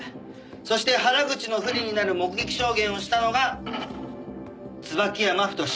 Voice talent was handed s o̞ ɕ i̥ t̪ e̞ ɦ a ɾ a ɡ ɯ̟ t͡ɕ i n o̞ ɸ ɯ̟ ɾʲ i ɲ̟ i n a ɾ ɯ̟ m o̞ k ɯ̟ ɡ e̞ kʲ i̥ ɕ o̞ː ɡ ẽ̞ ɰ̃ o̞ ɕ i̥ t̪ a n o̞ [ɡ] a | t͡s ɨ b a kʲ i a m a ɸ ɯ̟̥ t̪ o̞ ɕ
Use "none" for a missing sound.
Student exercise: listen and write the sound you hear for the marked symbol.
ɡ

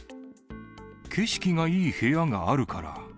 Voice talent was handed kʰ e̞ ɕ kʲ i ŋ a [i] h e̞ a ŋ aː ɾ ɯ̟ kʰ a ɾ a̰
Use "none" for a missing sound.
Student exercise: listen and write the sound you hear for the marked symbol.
iː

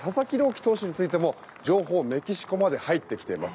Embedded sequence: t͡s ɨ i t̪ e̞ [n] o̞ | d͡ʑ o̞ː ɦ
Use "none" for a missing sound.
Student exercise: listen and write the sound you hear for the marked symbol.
m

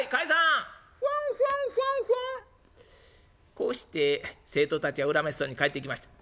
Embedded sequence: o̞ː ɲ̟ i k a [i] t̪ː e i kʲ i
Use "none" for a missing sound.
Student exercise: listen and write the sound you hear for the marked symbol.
e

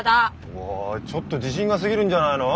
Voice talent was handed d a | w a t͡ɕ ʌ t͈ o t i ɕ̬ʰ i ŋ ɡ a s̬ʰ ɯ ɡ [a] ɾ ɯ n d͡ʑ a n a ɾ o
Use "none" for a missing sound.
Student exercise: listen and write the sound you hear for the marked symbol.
i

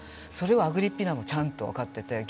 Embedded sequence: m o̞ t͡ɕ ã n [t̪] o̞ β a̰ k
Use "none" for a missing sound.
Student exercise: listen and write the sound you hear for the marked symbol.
t̪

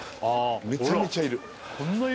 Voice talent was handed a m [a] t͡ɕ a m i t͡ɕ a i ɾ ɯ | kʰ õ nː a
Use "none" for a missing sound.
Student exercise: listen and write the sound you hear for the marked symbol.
e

